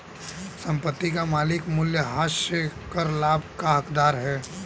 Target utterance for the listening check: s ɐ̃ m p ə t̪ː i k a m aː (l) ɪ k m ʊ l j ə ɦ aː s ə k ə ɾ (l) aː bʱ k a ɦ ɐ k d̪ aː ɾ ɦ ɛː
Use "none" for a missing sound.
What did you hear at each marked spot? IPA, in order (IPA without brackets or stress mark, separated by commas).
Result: l, l